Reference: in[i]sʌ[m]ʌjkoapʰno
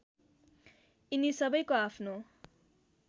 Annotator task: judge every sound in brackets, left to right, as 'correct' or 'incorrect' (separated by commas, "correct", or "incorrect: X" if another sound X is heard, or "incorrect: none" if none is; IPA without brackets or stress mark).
correct, incorrect: b